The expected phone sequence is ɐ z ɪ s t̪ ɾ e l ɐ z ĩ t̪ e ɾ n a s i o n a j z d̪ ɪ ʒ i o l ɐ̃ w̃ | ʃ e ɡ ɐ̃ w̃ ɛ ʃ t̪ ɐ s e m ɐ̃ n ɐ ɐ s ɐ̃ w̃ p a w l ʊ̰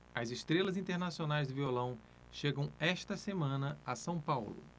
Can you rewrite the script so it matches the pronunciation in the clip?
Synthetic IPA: ɐ z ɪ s t̪ ɾ e l ɐ z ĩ t̪ e ɾ n a s i o n a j z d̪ ɪ v i o l ɐ̃ w̃ | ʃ e ɡ ɐ̃ w̃ ɛ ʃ t̪ ɐ s e m ɐ̃ n ɐ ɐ s ɐ̃ w̃ p a w l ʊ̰